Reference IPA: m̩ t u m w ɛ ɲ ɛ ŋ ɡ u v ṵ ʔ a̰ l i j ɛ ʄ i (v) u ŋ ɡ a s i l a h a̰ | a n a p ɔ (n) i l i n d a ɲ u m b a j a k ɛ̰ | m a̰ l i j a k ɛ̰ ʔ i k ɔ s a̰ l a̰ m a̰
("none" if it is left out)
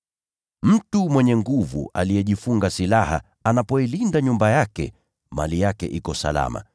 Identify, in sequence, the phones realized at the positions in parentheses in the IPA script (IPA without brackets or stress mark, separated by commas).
f, none